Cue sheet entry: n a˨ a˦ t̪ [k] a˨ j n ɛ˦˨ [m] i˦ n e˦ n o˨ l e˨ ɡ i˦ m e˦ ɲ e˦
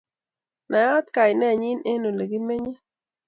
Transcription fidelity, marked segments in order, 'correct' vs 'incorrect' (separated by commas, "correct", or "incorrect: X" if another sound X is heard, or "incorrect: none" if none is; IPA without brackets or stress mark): correct, incorrect: ɲ